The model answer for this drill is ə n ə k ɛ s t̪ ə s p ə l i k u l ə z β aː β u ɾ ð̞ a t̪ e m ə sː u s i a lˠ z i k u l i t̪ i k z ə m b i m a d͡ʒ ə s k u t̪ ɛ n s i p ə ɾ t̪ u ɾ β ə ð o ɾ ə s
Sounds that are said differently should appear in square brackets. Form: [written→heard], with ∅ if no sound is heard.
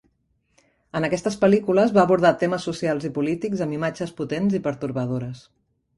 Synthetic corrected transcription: ə n ə k ɛ s t̪ ə s p ə l i k u l ə z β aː β u ɾ ð̞ a t̪ e m ə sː u s i a lˠ z i [k→p] u l i t̪ i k z ə m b i m a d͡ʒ ə s [k→p] u t̪ [ɛ→e] n [s→z] i p ə ɾ t̪ u ɾ β ə ð o ɾ ə s